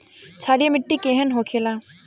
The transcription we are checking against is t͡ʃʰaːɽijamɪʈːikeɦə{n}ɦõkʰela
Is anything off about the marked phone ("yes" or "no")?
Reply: no